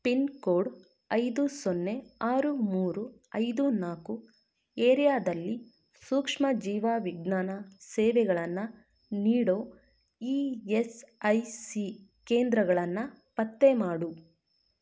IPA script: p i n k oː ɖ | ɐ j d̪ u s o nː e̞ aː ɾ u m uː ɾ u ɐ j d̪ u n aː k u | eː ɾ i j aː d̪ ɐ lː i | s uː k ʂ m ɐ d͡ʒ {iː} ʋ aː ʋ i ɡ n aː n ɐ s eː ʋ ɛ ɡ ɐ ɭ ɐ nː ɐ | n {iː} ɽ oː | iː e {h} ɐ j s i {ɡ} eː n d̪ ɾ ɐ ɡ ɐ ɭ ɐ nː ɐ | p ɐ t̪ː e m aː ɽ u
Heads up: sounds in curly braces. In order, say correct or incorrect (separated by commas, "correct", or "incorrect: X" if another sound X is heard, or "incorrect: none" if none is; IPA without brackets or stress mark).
correct, correct, incorrect: s, incorrect: k